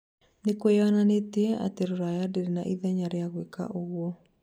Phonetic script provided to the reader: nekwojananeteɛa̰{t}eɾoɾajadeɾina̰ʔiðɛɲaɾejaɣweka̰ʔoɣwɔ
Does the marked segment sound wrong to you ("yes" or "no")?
no